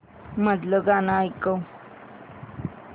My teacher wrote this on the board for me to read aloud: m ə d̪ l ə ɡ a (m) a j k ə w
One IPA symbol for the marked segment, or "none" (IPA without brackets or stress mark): n